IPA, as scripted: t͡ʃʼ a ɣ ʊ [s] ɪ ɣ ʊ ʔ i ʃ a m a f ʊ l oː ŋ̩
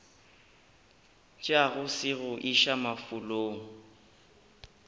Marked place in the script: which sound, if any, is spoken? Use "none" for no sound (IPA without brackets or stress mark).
s